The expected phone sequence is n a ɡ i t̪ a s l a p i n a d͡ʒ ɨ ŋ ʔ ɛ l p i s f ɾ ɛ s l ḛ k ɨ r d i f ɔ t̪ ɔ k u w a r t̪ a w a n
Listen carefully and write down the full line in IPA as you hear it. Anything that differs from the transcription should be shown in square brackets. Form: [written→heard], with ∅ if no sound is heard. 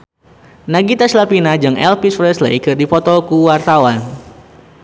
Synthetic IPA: n a ɡ i t̪ a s l a p i n a d͡ʒ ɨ ŋ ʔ ɛ l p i s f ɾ ɛ s l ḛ k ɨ r d i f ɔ t̪ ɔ k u w a r t̪ a w a n